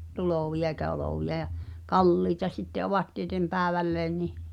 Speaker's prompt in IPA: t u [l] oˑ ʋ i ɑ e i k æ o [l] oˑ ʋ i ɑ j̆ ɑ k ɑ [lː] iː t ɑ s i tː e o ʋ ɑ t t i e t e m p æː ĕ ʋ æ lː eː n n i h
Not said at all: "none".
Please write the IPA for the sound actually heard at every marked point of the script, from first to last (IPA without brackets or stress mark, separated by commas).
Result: l, l, lː